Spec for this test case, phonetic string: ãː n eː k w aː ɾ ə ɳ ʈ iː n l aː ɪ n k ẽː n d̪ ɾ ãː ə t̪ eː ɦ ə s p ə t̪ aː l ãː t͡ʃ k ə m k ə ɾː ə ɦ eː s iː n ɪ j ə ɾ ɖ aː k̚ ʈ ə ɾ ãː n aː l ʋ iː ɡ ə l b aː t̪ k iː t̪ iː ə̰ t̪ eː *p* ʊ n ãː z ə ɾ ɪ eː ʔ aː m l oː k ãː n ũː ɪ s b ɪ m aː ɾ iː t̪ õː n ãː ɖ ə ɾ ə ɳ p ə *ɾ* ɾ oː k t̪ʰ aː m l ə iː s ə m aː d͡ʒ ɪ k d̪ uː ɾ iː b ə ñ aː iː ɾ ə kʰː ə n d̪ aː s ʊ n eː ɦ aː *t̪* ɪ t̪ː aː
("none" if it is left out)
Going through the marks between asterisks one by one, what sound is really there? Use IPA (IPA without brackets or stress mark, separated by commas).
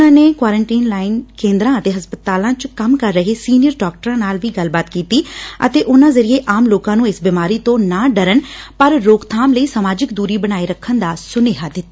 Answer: ʔ, ɾ, d̪